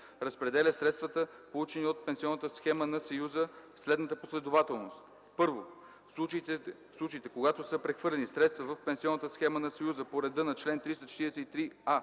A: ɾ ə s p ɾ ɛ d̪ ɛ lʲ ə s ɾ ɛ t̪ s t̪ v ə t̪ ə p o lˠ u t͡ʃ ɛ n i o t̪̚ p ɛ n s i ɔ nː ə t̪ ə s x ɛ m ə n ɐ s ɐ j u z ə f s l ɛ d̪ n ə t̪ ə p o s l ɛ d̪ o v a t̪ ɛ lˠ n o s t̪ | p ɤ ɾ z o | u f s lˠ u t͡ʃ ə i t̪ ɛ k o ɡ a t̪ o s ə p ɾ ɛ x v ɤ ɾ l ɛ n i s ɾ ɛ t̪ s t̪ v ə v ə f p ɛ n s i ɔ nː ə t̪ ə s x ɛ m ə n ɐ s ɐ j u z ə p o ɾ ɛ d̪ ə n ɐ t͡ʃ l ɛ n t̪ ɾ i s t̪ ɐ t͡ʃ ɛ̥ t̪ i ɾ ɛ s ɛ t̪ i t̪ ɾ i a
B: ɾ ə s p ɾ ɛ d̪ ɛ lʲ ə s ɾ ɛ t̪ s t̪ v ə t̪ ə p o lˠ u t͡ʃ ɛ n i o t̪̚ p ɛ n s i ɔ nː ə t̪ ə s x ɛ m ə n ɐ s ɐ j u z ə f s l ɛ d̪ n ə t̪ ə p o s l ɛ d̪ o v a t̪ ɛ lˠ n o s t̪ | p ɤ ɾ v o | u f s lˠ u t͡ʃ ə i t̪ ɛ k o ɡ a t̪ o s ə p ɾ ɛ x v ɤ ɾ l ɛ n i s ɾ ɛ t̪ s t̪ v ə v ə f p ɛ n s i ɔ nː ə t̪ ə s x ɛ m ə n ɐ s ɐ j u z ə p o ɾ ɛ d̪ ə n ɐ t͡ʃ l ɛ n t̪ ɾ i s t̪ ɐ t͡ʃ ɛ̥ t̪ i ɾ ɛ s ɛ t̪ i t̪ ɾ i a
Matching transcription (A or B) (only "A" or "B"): B